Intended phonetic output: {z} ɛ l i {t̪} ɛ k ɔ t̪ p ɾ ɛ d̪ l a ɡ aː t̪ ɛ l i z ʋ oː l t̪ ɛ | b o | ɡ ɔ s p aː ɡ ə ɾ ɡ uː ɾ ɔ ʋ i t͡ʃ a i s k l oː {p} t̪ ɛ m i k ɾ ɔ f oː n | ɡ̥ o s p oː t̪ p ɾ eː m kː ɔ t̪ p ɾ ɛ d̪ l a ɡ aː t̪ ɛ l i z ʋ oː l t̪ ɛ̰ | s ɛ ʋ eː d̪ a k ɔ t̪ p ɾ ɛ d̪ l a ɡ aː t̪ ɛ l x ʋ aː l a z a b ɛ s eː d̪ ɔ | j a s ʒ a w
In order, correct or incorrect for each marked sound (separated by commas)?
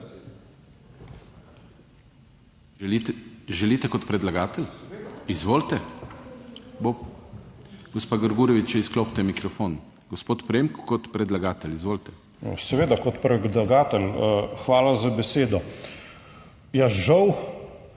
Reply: incorrect, correct, correct